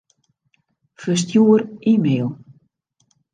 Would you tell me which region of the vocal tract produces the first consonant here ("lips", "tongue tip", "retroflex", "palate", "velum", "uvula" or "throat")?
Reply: lips